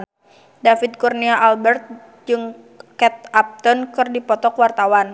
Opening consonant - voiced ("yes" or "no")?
yes